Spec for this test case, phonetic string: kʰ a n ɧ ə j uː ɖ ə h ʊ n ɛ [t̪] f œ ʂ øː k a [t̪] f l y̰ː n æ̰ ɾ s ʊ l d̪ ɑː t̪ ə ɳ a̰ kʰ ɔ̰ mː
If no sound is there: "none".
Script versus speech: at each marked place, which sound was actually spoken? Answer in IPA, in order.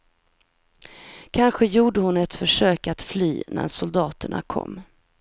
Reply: t̪, t̪

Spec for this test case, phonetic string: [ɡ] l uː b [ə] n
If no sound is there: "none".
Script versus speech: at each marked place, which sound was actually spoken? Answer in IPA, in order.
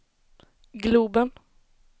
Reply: ɡ, ə

